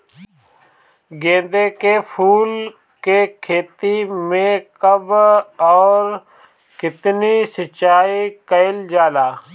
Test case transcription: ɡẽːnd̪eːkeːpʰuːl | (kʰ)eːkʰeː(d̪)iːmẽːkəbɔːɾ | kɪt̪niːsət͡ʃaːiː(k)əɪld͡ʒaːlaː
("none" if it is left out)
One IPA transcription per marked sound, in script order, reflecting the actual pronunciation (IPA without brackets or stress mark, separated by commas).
k, t̪, k